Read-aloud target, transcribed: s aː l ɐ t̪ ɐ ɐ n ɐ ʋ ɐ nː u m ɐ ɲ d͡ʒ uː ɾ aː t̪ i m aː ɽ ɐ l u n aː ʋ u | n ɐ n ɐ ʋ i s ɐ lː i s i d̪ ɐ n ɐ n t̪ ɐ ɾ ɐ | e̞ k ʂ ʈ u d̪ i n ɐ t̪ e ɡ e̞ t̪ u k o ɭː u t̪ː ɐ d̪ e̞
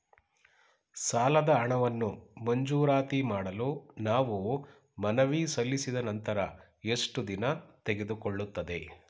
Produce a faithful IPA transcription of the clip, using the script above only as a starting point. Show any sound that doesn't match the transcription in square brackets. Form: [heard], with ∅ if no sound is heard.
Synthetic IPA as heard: s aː l ɐ [d̪] ɐ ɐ [ɳ] ɐ ʋ ɐ nː u m ɐ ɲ d͡ʒ uː ɾ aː t̪ i m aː ɽ ɐ l u n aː ʋ u | [m] ɐ n ɐ ʋ i s ɐ lː i s i d̪ ɐ n ɐ n t̪ ɐ ɾ ɐ | e̞ [∅] ʂ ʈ u d̪ i n ɐ t̪ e ɡ e̞ [d̪] u k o ɭː u t̪ː ɐ d̪ e̞